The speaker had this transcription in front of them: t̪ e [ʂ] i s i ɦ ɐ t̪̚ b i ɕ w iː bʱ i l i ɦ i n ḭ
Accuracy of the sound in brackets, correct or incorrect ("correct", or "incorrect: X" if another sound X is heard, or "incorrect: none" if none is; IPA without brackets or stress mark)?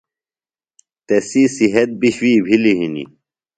incorrect: s